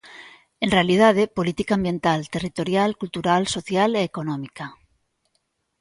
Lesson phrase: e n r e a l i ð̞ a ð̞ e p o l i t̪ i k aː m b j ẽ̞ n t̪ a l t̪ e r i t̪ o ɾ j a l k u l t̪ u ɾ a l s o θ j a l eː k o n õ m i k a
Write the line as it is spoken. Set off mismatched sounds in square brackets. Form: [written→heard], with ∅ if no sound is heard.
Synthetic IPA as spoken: e n r e a l i ð̞ a ð̞ e p o l i t̪ i k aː m b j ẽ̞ n t̪ a l t̪ e r i t̪ o ɾ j a l k u l t̪ u ɾ a l s o θ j a l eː k o n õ m i k a